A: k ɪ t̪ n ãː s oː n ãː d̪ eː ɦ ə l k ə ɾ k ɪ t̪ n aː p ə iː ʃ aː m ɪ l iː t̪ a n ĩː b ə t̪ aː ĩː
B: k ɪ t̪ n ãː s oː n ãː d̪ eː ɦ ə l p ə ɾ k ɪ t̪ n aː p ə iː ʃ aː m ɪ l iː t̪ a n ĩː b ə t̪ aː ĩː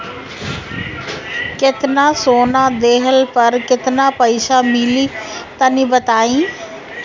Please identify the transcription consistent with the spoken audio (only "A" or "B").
B